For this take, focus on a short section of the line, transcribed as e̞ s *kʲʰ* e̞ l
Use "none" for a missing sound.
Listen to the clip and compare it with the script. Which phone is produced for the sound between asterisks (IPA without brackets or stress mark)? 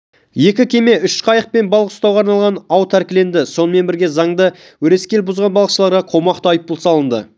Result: kʲ